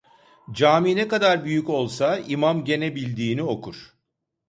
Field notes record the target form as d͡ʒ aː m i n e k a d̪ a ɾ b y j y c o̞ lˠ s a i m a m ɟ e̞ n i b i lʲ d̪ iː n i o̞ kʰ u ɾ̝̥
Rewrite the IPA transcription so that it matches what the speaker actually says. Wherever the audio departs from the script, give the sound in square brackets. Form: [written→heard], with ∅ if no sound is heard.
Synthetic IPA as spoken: d͡ʒ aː m i n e k a d̪ a ɾ b y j y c o̞ lˠ s a i m a m ɟ e̞ n [i→e] b i lʲ d̪ iː n i o̞ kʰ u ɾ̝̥